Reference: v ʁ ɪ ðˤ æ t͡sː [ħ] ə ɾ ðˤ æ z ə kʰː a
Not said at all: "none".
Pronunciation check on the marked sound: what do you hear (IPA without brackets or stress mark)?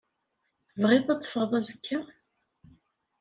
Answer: f